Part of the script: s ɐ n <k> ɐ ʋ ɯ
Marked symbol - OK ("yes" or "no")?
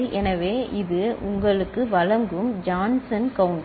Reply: yes